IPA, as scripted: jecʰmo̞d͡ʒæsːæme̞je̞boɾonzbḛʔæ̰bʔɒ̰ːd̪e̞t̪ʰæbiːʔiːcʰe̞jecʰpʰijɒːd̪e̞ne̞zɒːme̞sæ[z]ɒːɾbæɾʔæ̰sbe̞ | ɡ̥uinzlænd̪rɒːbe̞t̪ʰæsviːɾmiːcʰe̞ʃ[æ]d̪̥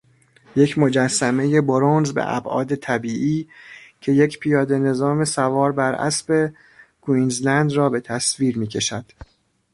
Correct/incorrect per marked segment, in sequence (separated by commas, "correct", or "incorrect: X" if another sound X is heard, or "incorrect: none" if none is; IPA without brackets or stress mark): incorrect: v, correct